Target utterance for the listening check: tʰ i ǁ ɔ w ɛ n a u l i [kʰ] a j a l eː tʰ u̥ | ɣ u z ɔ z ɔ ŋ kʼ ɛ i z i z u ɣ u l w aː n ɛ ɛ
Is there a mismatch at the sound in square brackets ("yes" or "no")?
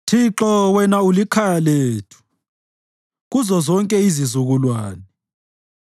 no